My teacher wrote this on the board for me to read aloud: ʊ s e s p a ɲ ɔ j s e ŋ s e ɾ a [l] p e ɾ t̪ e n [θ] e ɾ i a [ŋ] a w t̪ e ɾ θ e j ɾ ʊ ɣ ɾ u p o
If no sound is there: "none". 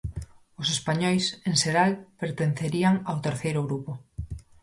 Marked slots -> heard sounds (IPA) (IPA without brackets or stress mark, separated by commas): l, θ, ŋ